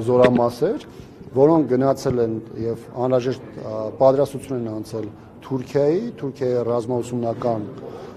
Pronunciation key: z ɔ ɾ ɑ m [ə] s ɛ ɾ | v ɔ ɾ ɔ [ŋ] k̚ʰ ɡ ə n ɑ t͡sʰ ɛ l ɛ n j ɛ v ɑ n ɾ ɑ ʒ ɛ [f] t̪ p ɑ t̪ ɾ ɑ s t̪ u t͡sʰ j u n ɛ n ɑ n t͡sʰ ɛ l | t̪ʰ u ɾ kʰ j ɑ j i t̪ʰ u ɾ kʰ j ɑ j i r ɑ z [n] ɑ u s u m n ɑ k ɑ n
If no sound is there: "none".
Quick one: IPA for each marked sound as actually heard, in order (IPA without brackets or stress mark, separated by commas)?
ɑ, ŋ, ʃ, m